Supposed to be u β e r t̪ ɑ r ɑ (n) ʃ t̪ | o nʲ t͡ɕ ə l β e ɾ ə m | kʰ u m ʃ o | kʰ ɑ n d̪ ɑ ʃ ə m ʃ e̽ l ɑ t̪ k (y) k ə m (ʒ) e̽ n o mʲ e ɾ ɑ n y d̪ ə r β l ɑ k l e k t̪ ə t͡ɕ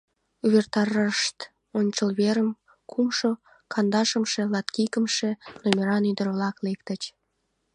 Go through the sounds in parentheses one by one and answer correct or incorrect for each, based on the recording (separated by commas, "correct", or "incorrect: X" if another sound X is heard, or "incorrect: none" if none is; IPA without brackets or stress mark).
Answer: incorrect: none, incorrect: i, incorrect: ʃ